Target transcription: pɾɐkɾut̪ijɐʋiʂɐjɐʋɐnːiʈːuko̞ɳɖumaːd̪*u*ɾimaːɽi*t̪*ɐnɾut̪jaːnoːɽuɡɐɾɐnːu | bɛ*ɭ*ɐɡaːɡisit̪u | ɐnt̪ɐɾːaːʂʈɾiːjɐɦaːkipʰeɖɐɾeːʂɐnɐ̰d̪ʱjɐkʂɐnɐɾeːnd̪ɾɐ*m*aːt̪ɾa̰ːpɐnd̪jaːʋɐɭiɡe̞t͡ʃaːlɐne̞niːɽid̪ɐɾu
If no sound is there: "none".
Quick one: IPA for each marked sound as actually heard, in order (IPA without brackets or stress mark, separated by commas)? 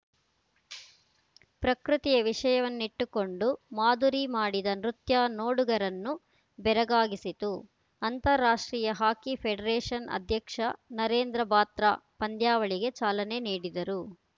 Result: u, d̪, ɾ, b